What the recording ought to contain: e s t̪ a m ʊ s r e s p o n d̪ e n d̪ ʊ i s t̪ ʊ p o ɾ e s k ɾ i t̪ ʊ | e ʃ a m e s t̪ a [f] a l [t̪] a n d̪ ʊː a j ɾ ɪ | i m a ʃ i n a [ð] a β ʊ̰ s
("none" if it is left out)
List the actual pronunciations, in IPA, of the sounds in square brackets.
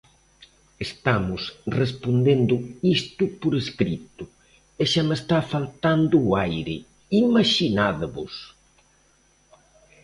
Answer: f, t̪, ð

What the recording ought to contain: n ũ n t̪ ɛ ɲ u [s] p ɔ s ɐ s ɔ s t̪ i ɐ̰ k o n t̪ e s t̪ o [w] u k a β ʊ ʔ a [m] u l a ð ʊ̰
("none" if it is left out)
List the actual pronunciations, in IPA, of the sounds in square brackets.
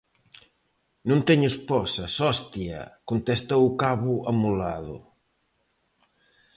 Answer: s, w, m

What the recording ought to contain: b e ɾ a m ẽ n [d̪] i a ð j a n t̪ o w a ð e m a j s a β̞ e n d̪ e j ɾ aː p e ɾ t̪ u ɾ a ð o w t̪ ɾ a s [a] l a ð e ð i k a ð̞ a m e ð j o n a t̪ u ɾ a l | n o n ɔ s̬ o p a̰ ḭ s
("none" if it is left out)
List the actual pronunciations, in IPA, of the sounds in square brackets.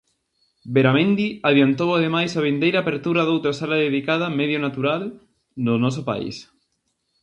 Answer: d̪, a

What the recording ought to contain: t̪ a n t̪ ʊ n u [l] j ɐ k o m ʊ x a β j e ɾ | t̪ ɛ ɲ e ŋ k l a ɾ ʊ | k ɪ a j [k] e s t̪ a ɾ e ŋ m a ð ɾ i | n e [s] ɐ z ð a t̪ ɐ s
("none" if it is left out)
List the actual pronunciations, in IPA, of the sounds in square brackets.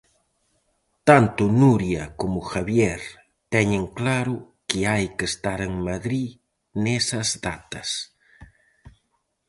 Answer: ɾ, k, s

